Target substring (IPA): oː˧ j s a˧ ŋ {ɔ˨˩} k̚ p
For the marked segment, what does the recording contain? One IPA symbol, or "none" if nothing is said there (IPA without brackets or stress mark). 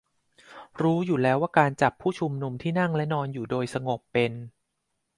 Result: o˨˩